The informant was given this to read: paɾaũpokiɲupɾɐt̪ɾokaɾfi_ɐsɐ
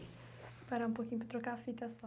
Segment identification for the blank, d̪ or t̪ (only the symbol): t̪